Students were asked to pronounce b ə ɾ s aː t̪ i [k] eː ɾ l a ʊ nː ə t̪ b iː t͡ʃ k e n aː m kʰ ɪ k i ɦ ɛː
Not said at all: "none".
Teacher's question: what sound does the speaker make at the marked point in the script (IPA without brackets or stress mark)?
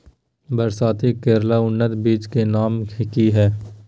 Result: k